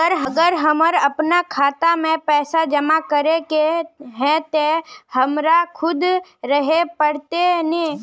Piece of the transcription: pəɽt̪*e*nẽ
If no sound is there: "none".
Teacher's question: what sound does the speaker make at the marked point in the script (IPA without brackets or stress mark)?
e